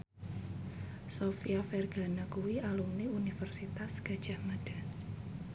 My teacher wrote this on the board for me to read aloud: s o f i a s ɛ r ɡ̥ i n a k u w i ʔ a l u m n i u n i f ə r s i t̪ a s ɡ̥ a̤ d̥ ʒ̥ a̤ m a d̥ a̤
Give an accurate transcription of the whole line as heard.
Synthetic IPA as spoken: s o f i a f ɛ r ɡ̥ a n a k u w i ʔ a l u m n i u n i f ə r s i t̪ a s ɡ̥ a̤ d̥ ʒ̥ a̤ m a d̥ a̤